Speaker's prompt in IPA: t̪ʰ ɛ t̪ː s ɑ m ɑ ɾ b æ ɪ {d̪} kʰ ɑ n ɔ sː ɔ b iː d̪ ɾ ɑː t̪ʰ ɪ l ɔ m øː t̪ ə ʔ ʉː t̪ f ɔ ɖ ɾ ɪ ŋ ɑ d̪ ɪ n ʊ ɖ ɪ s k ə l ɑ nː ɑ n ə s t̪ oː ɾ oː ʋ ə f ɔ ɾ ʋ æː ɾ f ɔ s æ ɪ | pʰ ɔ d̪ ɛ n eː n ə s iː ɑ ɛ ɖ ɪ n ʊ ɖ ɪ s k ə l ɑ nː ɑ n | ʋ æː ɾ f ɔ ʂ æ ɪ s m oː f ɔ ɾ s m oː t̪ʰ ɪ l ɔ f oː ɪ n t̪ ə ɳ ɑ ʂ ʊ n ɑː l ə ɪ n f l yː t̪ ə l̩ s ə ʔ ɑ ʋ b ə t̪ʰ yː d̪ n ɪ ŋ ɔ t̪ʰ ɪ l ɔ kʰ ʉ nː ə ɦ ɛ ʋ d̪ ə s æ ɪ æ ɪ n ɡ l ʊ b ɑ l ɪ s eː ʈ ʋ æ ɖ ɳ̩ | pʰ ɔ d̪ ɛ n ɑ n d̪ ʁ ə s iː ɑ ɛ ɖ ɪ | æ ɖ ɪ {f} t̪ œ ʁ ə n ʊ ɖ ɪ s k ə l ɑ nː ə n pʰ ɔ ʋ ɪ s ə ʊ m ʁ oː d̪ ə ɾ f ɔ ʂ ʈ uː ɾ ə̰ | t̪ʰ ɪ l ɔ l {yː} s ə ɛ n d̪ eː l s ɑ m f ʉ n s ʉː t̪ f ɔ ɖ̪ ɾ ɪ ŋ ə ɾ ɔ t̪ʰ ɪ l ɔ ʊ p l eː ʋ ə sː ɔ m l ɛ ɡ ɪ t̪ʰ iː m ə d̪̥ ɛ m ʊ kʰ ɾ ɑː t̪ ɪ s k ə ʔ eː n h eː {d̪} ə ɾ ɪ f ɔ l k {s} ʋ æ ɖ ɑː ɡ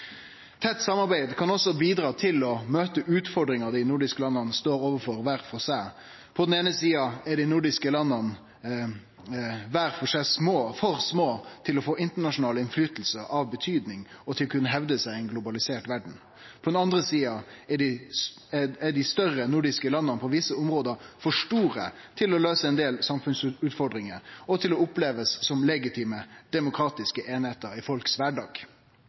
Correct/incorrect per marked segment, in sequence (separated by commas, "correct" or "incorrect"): correct, incorrect, incorrect, incorrect, correct